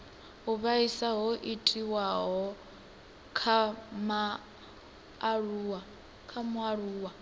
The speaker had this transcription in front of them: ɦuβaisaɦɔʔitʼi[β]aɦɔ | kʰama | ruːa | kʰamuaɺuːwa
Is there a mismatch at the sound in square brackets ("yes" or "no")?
yes